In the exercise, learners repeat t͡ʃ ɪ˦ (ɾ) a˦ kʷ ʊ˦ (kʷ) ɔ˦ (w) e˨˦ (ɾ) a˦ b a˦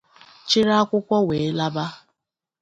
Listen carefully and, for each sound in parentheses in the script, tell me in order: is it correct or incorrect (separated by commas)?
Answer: correct, correct, correct, incorrect